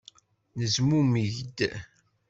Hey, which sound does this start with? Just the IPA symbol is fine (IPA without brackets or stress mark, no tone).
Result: n